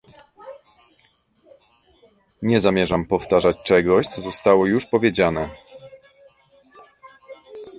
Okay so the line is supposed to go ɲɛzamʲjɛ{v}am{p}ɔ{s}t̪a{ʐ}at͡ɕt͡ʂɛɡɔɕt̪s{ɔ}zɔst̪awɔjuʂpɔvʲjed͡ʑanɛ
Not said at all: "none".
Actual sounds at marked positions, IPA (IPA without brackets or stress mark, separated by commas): ʐ, p, f, ʐ, ɔ